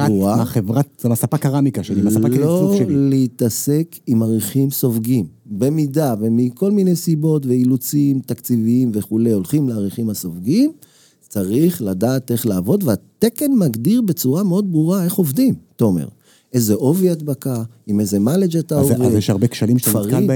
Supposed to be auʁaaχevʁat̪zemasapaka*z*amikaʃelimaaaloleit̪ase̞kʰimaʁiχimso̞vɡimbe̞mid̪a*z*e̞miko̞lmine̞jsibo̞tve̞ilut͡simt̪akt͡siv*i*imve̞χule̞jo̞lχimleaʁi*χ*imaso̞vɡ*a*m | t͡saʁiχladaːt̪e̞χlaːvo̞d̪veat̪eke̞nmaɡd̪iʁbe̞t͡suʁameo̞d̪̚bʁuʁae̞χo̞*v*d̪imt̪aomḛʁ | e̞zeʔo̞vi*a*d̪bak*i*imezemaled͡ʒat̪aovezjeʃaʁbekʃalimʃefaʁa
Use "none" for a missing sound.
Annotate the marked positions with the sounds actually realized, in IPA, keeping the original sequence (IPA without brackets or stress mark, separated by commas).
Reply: ʁ, v, i, χ, i, v, a, a